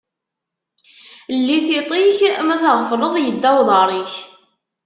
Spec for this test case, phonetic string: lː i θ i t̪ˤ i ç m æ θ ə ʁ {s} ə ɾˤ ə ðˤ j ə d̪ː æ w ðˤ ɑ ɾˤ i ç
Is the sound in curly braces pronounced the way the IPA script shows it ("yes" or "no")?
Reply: no